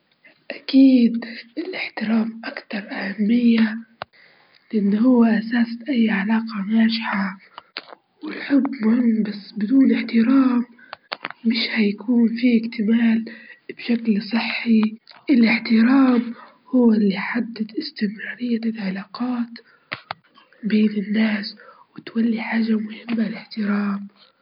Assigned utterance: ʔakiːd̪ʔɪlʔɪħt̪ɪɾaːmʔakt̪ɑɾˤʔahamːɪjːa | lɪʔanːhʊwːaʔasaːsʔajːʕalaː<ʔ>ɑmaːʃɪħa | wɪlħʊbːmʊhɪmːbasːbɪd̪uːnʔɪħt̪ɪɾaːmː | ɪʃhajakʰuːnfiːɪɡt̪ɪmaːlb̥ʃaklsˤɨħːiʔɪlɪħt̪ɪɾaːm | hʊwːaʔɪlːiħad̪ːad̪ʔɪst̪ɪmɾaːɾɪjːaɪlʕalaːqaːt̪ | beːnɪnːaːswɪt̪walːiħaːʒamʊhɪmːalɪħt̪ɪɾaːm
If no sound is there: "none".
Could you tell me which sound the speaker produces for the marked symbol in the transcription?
q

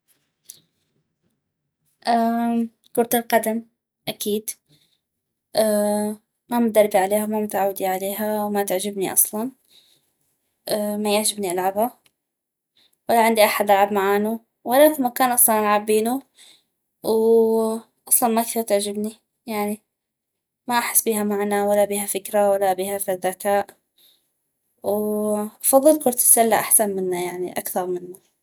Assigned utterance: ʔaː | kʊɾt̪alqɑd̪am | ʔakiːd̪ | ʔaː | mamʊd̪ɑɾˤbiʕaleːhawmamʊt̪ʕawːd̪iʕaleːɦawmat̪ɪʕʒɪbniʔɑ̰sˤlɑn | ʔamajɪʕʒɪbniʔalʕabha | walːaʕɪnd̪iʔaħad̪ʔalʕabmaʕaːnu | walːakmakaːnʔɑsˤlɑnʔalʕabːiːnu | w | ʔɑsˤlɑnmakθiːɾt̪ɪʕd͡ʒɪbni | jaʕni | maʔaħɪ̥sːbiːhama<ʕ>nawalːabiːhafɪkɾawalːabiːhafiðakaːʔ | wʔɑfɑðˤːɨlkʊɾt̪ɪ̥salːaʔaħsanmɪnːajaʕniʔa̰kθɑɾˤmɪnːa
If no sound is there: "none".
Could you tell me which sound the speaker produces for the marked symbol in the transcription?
ʕ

